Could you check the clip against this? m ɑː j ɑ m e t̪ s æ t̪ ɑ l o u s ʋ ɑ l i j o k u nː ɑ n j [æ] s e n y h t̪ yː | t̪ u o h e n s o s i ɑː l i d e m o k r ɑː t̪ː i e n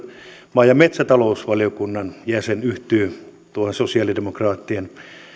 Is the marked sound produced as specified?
yes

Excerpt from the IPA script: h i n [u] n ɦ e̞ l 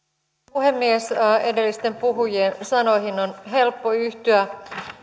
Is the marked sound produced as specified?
no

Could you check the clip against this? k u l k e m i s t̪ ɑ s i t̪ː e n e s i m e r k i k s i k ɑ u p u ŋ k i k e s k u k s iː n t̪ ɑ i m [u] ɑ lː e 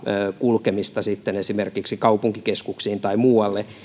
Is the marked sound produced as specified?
no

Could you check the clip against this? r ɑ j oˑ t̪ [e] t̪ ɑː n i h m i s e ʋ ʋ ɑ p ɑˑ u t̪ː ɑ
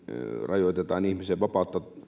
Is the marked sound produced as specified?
yes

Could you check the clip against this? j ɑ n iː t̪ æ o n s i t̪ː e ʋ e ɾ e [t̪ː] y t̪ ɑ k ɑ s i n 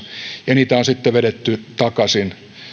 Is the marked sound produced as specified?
yes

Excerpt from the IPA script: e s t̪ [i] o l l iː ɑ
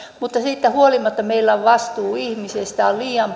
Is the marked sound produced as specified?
no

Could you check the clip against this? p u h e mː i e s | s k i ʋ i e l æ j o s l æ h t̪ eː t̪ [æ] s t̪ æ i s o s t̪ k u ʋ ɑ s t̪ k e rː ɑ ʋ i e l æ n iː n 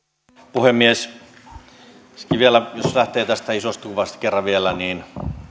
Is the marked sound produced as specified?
yes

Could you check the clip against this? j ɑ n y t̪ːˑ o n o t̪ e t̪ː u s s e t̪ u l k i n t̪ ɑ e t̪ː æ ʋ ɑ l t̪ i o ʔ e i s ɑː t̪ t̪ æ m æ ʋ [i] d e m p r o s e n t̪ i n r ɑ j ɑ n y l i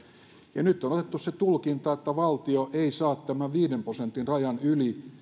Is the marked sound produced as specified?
no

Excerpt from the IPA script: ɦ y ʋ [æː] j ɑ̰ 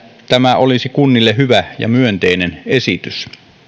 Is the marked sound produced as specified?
no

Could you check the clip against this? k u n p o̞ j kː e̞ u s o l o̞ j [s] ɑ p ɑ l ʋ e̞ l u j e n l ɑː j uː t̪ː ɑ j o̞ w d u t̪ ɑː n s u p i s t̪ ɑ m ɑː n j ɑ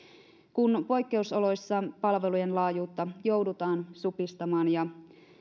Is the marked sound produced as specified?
no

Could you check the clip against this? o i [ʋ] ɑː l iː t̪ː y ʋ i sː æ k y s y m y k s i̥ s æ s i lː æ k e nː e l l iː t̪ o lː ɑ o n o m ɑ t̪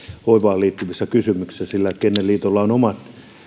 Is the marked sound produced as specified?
yes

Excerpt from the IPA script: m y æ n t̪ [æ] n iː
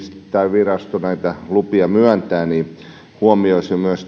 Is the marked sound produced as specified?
no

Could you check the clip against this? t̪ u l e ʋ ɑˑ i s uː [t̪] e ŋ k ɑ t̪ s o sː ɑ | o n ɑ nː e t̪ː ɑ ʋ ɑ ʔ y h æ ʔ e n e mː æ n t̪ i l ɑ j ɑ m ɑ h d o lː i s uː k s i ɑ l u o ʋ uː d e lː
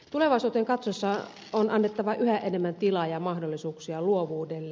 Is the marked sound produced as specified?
yes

